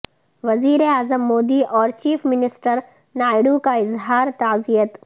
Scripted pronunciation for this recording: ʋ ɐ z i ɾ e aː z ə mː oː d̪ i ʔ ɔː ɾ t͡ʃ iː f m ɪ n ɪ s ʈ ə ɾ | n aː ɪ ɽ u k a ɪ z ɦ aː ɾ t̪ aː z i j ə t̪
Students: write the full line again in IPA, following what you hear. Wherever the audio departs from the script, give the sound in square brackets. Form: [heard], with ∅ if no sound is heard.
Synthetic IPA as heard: ʋ ɐ z [iː] ɾ e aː z ə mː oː d̪ i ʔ ɔː ɾ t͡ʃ iː f m ɪ n ɪ s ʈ ə ɾ | n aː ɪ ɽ u k a ɪ z ɦ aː ɾ t̪ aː z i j ə t̪